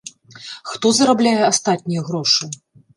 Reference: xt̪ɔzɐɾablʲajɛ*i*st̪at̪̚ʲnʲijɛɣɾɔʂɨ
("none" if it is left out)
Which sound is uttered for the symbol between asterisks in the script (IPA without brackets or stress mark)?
a